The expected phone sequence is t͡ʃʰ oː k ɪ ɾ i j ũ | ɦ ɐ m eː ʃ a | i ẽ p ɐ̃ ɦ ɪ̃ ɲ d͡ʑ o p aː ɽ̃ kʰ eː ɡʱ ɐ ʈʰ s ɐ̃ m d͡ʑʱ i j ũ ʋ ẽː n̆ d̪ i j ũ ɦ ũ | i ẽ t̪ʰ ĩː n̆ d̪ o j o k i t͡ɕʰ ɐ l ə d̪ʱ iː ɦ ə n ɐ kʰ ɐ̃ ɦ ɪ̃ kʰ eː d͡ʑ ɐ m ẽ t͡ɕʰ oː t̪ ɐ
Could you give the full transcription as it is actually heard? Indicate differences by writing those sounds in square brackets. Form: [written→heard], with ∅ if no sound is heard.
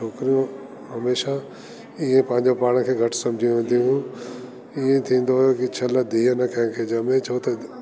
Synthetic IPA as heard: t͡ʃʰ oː k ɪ ɾ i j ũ | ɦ ɐ m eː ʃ a | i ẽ p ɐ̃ ɦ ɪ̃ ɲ d͡ʑ o p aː ɽ̃ kʰ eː ɡʱ ɐ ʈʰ s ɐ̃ m d͡ʑʱ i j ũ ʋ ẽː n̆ d̪ i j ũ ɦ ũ | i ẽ t̪ʰ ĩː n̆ d̪ o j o k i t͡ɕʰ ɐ l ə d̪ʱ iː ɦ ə n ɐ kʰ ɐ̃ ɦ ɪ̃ kʰ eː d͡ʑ ɐ m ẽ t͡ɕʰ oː t̪ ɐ